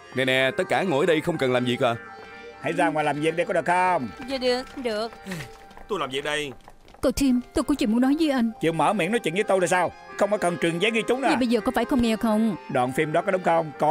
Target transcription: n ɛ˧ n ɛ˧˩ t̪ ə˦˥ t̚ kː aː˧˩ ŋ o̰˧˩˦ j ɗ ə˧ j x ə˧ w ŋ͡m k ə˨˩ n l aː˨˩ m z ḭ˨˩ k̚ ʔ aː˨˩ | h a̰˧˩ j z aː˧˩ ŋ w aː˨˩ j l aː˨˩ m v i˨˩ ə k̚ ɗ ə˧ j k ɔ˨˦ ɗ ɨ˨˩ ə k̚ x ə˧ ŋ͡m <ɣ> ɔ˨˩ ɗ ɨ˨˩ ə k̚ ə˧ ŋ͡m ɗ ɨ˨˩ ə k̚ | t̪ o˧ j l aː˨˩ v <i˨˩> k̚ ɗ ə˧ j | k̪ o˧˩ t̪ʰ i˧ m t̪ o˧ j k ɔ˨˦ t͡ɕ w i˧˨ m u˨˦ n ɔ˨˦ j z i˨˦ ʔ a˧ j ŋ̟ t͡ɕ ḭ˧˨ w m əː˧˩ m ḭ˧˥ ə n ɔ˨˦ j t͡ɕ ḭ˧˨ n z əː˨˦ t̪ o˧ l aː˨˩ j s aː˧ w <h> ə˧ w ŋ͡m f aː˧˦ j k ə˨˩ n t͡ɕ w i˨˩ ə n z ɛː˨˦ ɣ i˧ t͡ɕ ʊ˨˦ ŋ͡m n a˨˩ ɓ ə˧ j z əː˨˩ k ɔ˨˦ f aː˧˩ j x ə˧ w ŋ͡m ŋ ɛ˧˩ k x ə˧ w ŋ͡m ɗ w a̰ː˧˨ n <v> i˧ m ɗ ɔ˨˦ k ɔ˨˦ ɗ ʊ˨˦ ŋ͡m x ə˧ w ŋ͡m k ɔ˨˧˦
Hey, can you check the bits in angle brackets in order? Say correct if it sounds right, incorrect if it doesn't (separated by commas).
incorrect, correct, incorrect, incorrect